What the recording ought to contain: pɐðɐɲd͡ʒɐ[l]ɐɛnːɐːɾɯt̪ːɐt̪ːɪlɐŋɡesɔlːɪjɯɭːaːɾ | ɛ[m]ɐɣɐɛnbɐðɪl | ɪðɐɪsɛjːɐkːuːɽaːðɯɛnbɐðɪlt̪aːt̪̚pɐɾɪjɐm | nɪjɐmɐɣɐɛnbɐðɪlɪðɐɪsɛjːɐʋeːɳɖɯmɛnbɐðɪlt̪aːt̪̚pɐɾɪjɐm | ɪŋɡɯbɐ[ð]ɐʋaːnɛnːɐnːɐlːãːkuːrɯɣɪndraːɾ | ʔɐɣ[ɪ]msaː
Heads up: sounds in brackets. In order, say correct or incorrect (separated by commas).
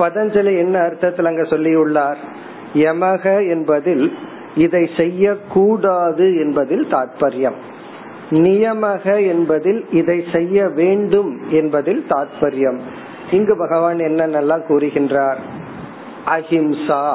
correct, correct, incorrect, correct